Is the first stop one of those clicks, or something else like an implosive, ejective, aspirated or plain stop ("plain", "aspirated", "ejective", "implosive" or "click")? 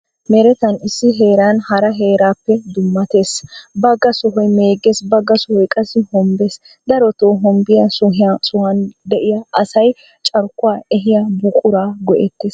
plain